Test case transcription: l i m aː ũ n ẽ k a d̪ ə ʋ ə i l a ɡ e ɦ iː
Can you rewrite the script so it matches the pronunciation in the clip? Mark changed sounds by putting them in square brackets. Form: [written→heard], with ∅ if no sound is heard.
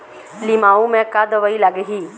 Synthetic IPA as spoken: l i m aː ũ [n→m] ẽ k a d̪ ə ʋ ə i l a ɡ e ɦ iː